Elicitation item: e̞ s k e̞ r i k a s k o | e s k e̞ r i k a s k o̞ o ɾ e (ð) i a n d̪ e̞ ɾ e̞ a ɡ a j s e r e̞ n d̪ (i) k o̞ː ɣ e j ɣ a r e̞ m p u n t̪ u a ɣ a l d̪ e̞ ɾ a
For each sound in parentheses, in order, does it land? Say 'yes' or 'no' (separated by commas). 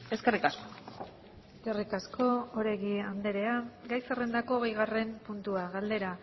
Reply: no, no